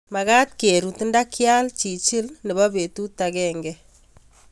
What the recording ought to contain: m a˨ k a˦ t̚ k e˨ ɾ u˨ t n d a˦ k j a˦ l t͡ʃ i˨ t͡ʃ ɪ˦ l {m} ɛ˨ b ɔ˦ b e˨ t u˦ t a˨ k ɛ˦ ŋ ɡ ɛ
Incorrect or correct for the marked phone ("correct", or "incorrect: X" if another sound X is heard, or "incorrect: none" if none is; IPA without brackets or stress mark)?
incorrect: n